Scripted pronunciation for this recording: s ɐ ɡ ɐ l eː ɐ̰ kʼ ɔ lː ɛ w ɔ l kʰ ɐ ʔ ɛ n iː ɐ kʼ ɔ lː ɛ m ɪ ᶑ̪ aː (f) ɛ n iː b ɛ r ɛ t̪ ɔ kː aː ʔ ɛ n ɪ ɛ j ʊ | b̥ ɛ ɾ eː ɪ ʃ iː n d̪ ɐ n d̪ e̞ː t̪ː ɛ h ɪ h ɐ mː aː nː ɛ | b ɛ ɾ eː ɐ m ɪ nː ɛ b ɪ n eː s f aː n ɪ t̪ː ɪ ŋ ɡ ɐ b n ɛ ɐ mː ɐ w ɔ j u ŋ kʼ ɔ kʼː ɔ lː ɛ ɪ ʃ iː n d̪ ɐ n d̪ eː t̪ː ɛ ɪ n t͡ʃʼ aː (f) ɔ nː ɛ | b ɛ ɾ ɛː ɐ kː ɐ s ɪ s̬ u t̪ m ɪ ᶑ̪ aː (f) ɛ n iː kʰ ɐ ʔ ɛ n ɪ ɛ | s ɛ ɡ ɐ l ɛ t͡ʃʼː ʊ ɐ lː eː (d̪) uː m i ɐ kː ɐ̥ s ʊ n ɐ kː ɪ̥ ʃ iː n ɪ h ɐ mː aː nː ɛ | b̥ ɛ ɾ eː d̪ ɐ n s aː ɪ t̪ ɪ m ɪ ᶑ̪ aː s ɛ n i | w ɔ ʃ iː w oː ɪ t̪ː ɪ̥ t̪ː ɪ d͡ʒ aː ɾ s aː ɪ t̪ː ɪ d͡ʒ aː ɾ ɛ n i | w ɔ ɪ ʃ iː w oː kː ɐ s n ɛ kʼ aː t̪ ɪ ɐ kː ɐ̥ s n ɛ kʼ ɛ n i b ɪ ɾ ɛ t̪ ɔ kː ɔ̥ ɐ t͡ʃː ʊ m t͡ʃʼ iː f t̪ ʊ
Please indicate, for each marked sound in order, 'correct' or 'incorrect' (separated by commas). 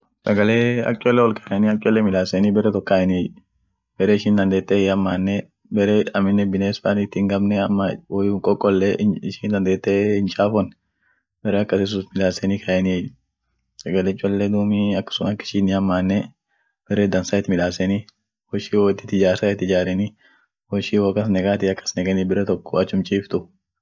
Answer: incorrect, correct, incorrect, correct